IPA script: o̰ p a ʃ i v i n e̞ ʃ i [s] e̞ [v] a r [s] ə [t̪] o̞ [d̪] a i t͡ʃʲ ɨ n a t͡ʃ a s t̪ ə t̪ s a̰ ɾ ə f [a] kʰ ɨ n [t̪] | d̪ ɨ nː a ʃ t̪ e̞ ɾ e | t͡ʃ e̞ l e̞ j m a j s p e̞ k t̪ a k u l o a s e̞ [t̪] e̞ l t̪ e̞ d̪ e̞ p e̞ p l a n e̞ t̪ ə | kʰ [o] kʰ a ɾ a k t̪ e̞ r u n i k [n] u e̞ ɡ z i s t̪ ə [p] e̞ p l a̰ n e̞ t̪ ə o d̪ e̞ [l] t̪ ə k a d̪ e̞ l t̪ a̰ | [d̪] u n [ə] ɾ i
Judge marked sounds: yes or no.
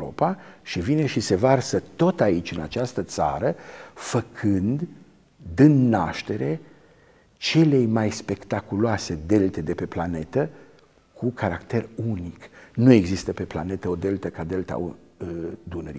yes, yes, yes, yes, no, no, no, no, no, yes, yes, yes, yes, yes

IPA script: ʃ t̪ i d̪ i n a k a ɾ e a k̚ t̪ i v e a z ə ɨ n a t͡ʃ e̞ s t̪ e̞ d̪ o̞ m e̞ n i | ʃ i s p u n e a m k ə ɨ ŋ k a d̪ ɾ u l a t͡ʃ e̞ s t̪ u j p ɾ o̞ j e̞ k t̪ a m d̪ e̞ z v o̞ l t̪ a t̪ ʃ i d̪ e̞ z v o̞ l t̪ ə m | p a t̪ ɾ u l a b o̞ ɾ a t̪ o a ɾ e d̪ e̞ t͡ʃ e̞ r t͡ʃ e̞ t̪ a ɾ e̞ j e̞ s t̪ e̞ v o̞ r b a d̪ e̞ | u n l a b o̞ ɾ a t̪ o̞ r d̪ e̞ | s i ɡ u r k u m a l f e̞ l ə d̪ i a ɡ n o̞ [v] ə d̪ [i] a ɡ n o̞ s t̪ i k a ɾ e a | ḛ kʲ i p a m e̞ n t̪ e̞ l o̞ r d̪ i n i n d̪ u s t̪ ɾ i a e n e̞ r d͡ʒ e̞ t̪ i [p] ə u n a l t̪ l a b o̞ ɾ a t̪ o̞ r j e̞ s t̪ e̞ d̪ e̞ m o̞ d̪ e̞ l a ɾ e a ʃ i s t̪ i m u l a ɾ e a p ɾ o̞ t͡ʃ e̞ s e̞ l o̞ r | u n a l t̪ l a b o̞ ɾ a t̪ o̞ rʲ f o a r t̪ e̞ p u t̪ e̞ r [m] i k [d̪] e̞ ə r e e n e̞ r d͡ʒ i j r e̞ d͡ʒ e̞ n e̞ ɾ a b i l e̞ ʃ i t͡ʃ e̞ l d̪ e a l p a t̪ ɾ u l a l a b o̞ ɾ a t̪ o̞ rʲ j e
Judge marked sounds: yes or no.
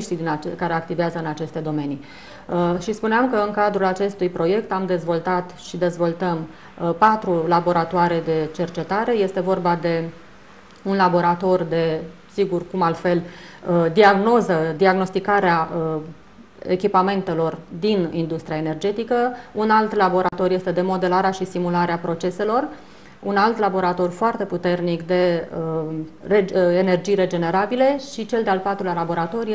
no, yes, no, no, yes

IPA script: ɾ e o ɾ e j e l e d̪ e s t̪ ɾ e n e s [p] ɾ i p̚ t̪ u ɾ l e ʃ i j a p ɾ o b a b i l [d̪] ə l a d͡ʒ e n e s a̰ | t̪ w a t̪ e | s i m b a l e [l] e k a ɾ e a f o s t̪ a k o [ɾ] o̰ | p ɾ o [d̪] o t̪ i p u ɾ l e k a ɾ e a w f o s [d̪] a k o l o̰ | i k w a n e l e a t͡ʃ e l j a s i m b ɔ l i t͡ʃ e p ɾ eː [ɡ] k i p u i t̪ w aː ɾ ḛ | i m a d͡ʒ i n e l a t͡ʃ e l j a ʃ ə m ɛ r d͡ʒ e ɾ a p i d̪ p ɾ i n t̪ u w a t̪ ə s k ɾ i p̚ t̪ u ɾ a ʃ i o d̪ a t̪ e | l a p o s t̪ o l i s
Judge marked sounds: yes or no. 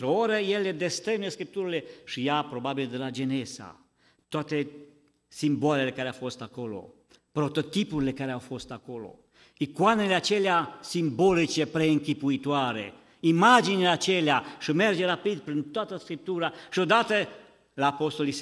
no, yes, yes, no, no, no, no

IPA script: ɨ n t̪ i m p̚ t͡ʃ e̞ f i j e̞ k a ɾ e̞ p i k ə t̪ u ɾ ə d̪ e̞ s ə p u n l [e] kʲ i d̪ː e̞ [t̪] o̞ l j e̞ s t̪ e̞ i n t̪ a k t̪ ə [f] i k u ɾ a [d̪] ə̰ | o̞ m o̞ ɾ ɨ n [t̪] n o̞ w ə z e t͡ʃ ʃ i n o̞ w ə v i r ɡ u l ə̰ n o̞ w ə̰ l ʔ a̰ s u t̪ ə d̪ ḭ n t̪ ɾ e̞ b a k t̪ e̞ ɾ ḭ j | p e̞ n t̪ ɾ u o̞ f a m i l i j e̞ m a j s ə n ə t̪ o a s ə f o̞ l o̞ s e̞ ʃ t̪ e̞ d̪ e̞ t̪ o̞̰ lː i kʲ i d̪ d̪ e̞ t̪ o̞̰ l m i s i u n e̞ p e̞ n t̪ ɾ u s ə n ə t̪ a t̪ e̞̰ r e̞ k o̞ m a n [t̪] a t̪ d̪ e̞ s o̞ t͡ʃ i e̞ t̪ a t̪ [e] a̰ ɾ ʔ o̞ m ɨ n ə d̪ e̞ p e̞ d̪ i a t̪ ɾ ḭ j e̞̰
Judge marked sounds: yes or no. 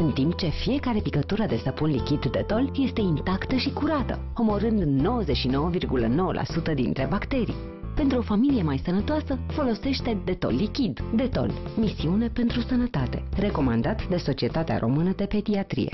no, yes, no, no, no, no, yes

